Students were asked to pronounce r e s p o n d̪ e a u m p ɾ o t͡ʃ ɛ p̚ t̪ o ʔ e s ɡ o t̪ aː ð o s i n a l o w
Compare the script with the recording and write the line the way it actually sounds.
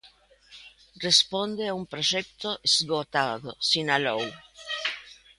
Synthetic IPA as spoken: r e s p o n d̪ e a u m p ɾ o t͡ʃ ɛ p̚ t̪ o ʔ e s ɡ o t̪ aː ð o s i n a l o w